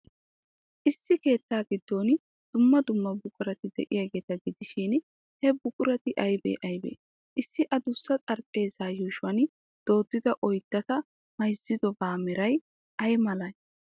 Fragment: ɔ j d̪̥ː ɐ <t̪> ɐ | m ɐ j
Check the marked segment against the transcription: correct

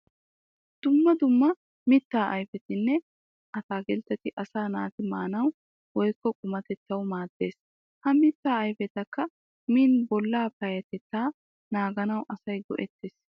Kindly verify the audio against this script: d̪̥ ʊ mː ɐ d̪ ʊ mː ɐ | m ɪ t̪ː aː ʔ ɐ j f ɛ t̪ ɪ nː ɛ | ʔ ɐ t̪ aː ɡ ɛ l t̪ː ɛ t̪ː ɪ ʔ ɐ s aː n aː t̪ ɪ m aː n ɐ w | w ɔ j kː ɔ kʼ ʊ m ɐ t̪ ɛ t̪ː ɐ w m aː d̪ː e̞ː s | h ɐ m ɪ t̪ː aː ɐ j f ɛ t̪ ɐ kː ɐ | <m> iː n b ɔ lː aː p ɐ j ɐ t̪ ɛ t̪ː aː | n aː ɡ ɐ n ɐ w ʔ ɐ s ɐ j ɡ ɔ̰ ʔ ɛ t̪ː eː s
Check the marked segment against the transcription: correct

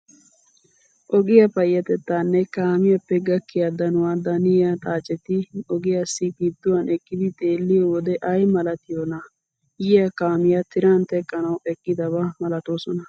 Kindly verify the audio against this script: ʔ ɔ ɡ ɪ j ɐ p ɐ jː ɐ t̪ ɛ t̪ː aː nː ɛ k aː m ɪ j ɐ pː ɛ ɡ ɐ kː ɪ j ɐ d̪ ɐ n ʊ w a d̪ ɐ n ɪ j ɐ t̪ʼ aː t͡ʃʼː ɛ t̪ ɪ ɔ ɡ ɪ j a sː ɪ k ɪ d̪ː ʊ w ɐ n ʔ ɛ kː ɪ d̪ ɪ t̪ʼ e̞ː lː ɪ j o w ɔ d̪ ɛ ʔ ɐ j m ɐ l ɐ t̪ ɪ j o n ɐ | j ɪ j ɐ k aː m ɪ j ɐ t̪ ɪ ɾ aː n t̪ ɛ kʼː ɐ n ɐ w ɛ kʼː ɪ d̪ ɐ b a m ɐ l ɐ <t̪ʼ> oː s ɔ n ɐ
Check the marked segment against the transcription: incorrect: t̪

